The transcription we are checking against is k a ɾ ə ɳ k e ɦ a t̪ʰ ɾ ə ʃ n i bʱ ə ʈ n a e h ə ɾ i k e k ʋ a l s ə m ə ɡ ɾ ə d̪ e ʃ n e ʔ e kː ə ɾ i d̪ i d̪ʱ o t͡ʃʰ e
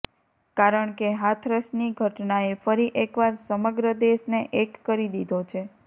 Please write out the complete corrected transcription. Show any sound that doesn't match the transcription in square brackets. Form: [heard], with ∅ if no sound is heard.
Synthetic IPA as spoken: k a ɾ ə ɳ k e ɦ a t̪ʰ ɾ ə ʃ n i [ɡʱ] ə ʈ n a e [f] ə ɾ i [ʔ] e k ʋ a [ɾ] s ə m ə ɡ ɾ ə d̪ e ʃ n e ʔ e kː ə ɾ i d̪ i d̪ʱ o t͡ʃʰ e